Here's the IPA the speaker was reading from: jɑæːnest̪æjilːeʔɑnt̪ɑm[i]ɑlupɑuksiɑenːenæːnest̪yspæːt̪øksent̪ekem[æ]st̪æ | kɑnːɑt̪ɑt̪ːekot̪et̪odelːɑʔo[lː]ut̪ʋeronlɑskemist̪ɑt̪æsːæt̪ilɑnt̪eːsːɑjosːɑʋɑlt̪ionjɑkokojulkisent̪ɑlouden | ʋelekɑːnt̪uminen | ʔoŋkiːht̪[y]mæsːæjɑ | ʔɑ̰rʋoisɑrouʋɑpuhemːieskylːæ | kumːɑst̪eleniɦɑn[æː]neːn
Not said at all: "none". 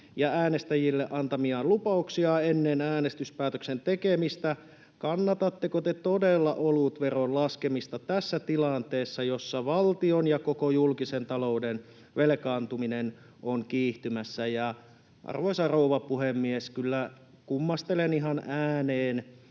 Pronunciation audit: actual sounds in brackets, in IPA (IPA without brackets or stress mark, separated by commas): i, i, l, y, æː